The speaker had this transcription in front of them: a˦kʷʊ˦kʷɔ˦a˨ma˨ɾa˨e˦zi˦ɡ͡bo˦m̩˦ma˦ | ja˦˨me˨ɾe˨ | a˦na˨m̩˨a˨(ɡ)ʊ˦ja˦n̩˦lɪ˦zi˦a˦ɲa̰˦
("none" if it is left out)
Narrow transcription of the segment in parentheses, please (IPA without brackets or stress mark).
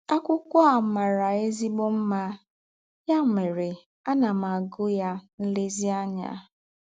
ɡ